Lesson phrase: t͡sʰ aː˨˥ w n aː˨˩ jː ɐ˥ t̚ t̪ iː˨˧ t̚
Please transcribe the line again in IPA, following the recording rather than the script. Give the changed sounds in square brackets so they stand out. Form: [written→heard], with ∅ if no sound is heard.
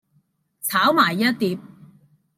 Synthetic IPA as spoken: t͡sʰ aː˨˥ w [n→m] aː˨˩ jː ɐ˥ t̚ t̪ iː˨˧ [t̚→p̚]